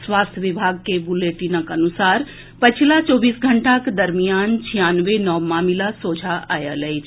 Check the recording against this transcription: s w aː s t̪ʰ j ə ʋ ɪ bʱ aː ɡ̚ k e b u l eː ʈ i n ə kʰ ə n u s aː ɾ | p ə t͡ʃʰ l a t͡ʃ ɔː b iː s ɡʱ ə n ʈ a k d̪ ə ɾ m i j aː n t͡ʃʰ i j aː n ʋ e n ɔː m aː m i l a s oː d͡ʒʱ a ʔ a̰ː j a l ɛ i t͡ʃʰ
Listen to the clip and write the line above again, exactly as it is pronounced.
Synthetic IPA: s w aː s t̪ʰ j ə ʋ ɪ bʱ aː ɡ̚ k e b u l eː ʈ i n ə k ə n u s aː ɾ | p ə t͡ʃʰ l a t͡ʃ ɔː b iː s ɡʱ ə ɳ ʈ a k d̪ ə ɾ m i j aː n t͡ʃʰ i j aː n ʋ e n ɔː m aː m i l a s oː d͡ʒʱ a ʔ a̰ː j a l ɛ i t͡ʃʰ